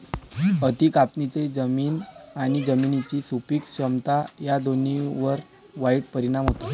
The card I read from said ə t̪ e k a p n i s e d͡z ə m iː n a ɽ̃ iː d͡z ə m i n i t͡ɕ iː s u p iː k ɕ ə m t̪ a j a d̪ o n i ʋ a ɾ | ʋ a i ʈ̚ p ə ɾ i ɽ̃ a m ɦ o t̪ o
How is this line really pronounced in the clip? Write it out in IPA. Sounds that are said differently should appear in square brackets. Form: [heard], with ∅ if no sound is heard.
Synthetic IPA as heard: ə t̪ [i] k a p n i [t͡s] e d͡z ə m iː n a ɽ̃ [i] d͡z ə m i n i t͡ɕ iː s u p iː k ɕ ə m t̪ a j a d̪ o n i ʋ [ə] ɾ | ʋ a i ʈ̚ p ə ɾ i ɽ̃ a m ɦ o t̪ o